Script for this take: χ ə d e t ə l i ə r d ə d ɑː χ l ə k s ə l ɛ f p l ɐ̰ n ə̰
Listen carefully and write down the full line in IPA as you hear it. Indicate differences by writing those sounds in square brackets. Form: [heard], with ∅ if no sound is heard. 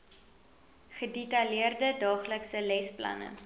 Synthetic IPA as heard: χ ə d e t [ɐ] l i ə r d ə d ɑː χ l ə k s ə l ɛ [s] p l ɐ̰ n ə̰